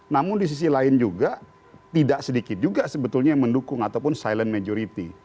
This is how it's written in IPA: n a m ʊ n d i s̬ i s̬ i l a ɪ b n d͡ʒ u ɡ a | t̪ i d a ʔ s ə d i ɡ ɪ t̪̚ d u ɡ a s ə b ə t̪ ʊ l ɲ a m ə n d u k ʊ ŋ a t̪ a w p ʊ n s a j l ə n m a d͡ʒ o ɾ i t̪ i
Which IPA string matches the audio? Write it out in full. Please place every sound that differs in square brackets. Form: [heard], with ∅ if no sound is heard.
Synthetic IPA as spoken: n a m ʊ n d i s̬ i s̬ i l a ɪ [∅] n d͡ʒ u ɡ a | t̪ i d a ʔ s ə d i [k] ɪ t̪̚ [d͡ʒ] u ɡ a s ə b ə t̪ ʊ l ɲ a m ə n d u k ʊ ŋ a t̪ a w p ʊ n s a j l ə n m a d͡ʒ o ɾ i t̪ i